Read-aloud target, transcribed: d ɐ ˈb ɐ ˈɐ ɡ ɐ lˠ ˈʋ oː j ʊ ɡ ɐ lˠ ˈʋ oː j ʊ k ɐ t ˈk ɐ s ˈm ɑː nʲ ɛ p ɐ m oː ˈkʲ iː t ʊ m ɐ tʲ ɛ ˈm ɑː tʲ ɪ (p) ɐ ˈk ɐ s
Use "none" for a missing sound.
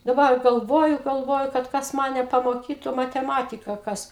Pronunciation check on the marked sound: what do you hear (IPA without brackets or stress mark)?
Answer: k